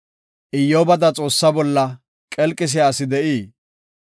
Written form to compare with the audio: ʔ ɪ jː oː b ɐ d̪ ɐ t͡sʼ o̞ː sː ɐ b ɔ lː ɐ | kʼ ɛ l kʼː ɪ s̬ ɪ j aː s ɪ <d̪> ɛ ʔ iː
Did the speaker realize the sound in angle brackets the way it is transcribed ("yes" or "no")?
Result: yes